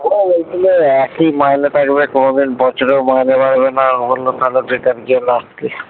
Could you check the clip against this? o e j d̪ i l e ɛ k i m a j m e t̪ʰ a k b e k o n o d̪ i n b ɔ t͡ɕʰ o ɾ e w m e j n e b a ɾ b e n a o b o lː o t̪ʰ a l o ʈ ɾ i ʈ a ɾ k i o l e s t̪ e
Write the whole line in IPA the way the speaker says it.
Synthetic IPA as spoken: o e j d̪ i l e ɛ k i m a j n e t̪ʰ a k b e k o n o d̪ i n b ɔ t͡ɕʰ o ɾ e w m a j n e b a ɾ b e n a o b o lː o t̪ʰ a l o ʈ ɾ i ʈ a ɾ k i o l a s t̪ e